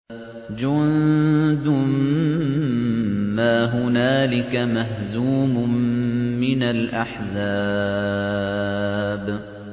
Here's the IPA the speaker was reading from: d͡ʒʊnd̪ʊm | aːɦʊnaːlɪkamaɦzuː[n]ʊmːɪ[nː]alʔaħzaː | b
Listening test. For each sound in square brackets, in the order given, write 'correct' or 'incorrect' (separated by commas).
incorrect, incorrect